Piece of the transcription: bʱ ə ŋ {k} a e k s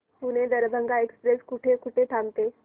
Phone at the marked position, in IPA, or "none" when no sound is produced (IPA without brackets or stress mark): ɡ